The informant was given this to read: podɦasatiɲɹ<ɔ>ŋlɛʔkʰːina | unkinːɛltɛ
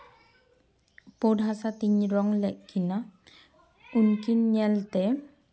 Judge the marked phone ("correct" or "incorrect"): correct